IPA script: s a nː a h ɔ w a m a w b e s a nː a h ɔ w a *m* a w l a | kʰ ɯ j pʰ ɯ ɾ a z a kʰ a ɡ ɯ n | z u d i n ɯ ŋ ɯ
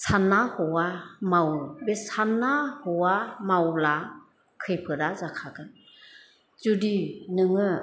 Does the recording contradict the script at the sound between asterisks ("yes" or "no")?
no